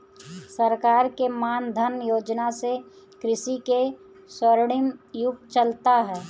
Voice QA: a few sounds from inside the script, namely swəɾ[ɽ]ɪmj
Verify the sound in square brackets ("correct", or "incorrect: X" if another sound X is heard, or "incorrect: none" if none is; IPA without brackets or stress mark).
correct